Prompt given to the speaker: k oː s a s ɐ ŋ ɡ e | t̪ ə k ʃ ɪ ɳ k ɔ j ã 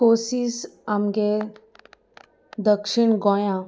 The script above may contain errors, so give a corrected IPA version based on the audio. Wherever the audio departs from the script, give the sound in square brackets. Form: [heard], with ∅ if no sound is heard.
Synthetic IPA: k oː s [i] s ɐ [m] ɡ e | [d̪] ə k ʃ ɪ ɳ [ɡ] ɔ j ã

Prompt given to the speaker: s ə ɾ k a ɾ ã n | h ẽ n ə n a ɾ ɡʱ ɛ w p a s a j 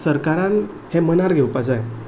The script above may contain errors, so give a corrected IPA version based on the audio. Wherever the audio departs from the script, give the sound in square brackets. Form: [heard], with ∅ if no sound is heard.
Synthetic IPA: s ə ɾ k a ɾ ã n | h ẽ [m] ə n a ɾ ɡʱ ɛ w p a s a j

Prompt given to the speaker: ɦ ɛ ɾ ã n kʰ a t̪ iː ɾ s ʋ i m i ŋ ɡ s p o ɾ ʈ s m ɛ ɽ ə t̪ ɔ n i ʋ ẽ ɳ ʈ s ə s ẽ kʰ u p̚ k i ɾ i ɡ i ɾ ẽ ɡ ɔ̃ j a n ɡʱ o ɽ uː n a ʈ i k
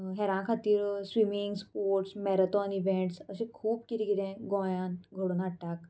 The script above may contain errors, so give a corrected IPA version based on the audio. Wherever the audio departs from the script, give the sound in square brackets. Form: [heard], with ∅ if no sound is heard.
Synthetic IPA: ɦ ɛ ɾ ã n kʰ a t̪ iː ɾ s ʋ i m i ŋ ɡ s p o ɾ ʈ s m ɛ [ɾ] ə t̪ ɔ n i ʋ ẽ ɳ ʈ s ə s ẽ kʰ [uː] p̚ k i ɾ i ɡ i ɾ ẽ ɡ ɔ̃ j a n ɡʱ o ɽ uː n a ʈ [a] k

